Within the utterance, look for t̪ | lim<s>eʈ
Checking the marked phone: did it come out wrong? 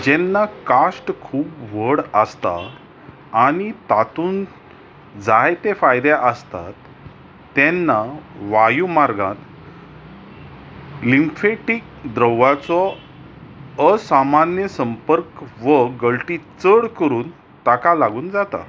yes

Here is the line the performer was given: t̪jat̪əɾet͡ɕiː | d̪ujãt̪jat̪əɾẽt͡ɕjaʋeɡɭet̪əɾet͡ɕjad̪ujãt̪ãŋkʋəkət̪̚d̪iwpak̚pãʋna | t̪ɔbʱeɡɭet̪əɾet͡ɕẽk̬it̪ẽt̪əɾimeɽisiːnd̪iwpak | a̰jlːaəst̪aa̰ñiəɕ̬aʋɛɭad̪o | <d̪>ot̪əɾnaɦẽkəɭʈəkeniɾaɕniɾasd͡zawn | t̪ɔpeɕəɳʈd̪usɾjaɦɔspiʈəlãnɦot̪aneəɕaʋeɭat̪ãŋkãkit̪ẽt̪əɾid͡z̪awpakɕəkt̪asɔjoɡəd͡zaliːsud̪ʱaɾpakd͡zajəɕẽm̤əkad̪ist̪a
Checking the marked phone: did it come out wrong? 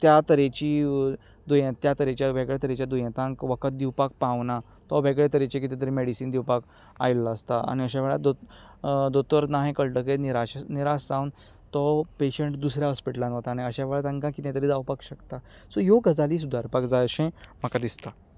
no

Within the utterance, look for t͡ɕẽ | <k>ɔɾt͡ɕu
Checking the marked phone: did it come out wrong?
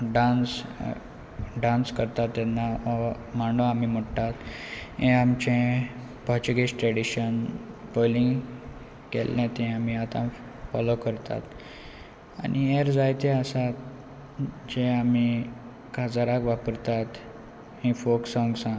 yes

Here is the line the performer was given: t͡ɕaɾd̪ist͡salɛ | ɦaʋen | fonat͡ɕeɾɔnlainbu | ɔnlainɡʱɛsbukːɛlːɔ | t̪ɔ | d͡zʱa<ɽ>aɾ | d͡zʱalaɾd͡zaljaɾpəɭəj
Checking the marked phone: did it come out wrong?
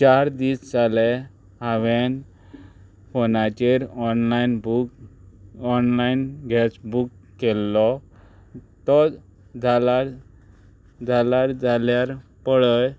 yes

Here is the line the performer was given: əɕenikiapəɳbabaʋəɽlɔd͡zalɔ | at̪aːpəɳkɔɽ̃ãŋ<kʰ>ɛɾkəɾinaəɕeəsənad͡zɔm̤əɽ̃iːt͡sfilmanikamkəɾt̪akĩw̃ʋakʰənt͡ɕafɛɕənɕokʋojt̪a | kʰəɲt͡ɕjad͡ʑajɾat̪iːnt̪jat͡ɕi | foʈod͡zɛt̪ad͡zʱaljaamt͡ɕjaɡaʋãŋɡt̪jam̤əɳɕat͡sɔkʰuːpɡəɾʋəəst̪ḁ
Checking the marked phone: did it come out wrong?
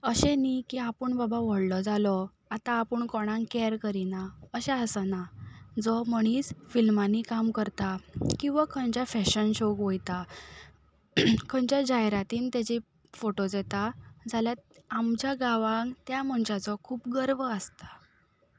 yes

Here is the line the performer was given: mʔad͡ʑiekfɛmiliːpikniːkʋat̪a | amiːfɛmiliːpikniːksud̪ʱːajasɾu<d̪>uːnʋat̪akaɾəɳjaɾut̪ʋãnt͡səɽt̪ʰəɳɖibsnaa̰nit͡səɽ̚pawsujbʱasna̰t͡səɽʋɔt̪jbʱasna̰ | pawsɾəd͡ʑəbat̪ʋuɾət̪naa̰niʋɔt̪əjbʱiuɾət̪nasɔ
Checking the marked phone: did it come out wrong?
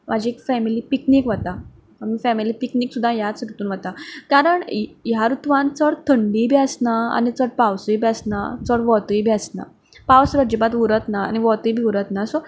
yes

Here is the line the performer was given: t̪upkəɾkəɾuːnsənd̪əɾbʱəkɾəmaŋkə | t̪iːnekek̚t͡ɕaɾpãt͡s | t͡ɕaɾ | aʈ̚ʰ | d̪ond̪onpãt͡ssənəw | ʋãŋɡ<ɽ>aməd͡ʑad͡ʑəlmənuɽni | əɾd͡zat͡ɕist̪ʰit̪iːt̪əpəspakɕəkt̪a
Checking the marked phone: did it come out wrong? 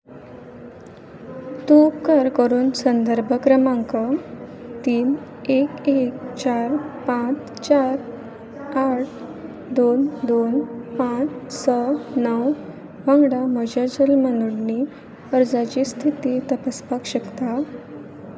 no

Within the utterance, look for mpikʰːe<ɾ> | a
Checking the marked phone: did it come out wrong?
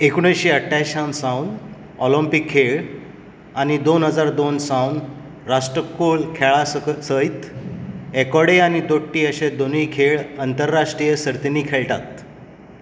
yes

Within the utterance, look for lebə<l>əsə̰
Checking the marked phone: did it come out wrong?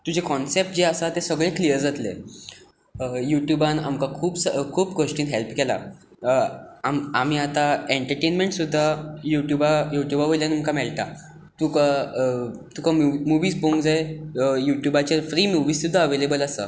no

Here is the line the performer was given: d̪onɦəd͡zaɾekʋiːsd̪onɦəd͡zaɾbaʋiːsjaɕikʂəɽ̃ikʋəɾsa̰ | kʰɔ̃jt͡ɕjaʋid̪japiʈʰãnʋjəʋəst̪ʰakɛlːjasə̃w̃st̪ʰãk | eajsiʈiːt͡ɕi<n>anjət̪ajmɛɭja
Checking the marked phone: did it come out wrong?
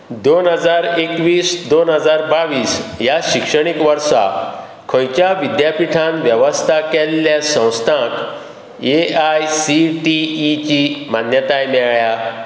yes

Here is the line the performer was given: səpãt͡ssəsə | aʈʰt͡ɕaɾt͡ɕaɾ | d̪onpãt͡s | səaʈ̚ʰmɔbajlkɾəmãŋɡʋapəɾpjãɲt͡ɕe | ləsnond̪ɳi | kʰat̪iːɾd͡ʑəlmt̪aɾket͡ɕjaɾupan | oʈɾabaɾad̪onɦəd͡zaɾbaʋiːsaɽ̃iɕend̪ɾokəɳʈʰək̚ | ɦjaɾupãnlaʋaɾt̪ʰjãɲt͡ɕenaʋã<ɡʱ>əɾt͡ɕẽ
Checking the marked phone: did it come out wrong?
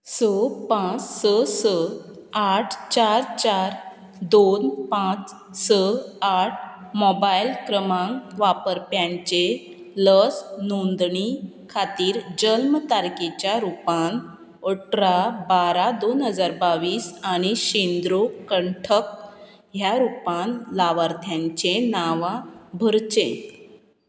yes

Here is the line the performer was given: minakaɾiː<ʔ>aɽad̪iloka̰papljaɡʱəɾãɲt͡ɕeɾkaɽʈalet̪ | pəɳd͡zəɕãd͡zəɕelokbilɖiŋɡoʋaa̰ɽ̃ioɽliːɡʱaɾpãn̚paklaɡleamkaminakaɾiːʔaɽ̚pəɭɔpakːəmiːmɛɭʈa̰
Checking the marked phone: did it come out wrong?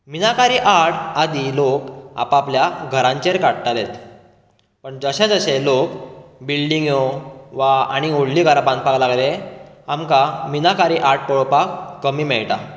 no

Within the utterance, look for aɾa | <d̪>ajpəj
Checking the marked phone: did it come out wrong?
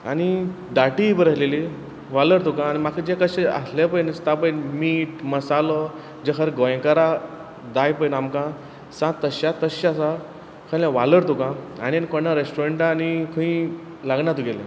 no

